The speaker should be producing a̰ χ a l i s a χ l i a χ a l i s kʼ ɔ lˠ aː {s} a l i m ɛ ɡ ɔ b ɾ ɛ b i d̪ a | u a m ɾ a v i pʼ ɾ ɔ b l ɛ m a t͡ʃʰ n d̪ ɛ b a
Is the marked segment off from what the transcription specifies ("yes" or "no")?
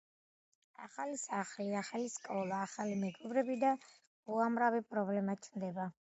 yes